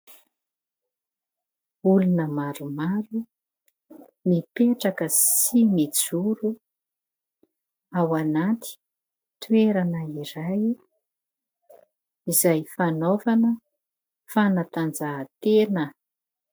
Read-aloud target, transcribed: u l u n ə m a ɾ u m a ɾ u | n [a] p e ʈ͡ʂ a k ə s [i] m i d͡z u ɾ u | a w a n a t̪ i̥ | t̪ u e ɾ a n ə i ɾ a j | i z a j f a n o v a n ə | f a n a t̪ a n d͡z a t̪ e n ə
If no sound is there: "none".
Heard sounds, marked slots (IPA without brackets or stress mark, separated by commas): i, i